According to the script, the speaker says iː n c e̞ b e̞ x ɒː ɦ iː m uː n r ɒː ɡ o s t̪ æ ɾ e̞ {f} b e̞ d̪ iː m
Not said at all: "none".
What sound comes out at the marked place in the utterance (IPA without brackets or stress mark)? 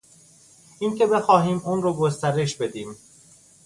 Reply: ʃ